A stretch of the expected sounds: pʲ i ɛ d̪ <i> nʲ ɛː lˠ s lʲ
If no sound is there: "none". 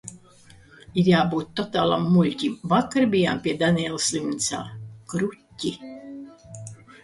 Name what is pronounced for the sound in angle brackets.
a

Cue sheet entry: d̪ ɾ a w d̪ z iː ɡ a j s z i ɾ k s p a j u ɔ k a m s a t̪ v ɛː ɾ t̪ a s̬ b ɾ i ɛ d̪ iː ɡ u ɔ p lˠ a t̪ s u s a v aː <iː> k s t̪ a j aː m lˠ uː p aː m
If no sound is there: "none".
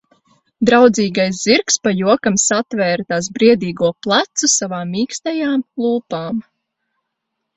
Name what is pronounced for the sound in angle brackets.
iː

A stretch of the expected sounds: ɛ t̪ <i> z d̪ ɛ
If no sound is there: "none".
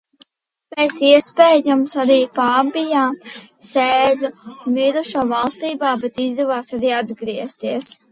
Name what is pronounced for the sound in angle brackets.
i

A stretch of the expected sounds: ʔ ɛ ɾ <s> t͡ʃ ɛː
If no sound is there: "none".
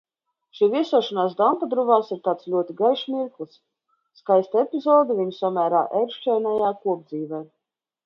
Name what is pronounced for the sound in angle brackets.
ʃ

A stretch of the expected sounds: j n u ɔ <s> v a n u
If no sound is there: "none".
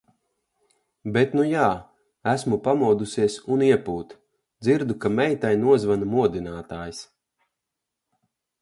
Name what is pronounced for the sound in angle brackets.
z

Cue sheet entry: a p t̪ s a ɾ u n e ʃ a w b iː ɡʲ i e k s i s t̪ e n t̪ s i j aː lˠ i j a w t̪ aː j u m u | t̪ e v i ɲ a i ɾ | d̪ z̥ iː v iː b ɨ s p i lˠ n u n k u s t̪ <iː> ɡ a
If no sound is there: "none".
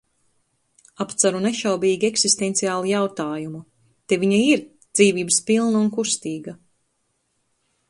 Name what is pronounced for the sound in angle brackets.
iː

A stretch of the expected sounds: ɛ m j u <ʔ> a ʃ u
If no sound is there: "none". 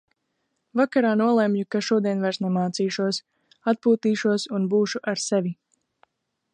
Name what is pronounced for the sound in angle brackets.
k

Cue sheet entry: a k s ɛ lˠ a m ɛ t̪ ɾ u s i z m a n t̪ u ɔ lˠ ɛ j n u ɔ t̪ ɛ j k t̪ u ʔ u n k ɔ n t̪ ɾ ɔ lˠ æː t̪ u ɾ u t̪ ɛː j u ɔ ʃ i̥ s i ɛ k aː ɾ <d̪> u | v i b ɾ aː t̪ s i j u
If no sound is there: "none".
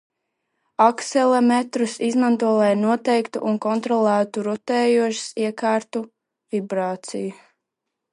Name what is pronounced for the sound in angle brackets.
t̪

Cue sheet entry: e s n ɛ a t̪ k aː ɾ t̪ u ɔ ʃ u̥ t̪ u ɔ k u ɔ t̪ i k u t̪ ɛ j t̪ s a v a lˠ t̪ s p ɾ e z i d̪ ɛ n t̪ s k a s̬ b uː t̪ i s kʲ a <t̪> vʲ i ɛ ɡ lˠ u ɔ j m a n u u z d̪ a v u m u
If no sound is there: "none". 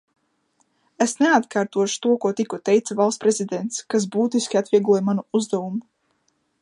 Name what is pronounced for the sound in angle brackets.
t̪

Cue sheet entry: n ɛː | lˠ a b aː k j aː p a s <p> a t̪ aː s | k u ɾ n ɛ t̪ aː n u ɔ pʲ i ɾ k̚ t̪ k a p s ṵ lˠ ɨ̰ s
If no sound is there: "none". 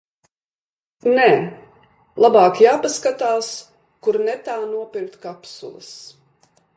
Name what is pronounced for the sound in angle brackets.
k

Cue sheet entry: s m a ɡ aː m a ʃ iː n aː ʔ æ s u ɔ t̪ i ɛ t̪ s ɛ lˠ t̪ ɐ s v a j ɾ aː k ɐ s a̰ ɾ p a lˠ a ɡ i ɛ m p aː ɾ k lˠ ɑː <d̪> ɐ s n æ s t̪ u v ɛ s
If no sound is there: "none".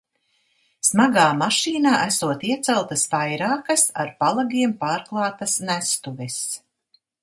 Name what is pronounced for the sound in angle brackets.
t̪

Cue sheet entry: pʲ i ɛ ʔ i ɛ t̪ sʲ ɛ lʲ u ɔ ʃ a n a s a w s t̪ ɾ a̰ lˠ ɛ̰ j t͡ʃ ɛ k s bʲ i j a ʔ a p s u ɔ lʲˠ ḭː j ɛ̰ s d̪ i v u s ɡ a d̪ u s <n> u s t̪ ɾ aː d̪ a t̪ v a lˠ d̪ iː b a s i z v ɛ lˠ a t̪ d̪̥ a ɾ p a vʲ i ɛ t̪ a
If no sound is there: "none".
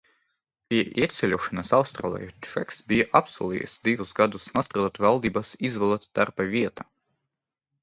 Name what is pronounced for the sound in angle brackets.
n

